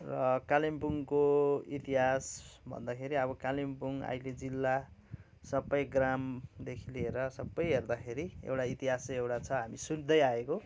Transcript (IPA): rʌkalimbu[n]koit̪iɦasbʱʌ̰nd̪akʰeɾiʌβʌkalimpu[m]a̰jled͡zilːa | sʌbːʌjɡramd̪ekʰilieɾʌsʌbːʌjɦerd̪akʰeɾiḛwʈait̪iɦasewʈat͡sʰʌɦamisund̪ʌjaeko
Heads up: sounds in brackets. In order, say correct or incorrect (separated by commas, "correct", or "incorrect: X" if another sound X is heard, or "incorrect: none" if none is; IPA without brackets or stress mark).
incorrect: ŋ, incorrect: ŋ